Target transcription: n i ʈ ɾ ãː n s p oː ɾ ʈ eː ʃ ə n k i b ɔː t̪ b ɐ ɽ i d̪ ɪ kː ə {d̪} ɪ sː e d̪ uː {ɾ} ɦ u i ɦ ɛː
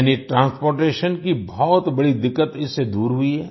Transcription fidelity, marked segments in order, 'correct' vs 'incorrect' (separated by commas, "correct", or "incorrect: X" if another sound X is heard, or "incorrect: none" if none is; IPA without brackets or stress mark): incorrect: t̪, correct